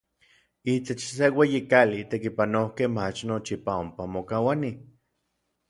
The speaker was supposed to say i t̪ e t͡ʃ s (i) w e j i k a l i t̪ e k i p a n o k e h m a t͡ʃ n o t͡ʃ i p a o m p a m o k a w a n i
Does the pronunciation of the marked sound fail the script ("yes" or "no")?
yes